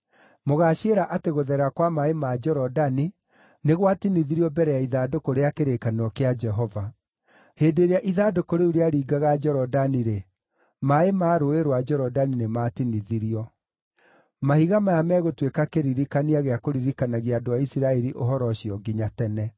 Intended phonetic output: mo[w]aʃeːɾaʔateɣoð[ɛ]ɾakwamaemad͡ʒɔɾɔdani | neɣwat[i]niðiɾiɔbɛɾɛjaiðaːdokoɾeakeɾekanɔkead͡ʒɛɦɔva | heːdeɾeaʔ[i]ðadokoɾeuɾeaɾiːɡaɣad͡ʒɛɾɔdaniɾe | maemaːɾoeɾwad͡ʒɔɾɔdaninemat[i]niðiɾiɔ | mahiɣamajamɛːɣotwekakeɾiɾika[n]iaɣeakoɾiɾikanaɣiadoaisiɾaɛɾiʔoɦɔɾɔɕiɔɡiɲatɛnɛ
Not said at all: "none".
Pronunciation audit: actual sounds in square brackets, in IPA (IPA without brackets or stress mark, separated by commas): ɣ, ɛ, i, i, i, n